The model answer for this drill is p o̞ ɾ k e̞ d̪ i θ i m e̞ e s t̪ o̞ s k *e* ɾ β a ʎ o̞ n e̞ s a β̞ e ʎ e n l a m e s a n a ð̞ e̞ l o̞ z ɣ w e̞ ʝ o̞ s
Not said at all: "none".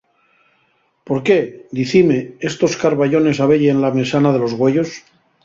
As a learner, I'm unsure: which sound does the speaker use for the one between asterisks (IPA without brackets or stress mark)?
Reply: a